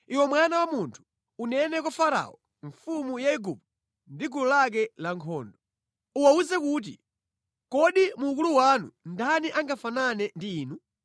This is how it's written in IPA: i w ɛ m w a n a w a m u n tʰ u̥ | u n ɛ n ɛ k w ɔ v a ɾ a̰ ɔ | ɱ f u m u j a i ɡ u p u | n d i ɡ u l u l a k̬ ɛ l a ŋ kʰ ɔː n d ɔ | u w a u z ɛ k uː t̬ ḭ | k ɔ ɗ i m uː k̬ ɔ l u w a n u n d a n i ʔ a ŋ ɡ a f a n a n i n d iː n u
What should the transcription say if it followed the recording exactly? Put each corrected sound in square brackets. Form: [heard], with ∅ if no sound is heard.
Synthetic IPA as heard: i w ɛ m w a n a w a m u n tʰ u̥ | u n ɛ n ɛ k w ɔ [f] a ɾ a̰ ɔ | ɱ f u m u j a i ɡ u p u | n d i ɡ u l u l a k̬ ɛ l a ŋ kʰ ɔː n d ɔ | u w a u z ɛ k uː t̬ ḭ | k ɔ ɗ i m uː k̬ [u] l u w a n u n d a n i ʔ a ŋ ɡ a f a n a n [ɛ] n d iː n u